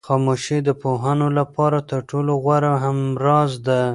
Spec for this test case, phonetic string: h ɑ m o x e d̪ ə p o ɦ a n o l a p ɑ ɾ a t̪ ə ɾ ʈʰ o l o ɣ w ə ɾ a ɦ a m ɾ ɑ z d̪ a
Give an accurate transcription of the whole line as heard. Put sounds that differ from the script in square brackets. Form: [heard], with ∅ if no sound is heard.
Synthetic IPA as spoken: [x] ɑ m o [ʃ] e d̪ ə p o ɦ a n o l a p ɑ ɾ a t̪ ə ɾ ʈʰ o l o ɣ w [a] ɾ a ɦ a m ɾ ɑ z d̪ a